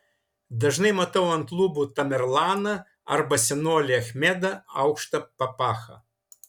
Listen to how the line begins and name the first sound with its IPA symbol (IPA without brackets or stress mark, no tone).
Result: d̪